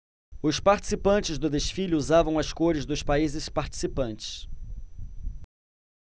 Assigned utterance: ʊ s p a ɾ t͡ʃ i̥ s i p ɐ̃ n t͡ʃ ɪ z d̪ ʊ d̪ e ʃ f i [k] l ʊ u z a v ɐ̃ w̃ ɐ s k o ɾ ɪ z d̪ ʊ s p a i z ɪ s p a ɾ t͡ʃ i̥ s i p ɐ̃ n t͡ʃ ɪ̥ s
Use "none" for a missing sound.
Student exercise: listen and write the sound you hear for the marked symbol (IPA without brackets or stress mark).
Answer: none